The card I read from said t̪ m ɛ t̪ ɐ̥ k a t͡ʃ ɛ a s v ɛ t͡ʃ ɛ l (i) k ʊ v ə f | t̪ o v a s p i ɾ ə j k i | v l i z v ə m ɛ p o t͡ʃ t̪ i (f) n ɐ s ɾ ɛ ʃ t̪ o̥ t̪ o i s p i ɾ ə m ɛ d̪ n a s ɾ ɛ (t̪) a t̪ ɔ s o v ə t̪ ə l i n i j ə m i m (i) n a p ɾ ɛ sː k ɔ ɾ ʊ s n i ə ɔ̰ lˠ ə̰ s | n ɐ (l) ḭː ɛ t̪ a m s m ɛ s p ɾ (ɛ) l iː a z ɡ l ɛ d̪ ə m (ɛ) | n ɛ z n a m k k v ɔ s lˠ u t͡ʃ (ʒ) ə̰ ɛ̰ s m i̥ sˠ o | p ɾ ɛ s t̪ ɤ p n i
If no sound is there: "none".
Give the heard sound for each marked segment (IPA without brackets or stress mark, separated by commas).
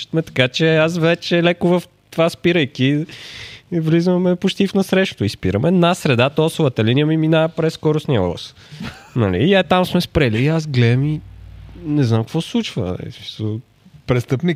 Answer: ɛ, f, d̪, i, l, ɛ, i, v